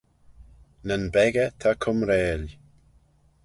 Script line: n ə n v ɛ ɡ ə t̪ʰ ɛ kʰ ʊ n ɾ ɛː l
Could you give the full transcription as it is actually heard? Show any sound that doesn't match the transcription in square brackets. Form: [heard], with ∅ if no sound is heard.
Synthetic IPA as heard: n ə n [b] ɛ ɡ ə t̪ʰ [a] kʰ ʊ [m] ɾ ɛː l